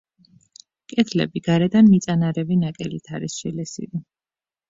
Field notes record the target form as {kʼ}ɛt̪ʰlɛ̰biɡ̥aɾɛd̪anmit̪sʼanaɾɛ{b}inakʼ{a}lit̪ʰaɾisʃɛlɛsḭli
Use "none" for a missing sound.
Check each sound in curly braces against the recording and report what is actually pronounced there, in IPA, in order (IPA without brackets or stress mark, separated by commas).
kʼ, v, ɛ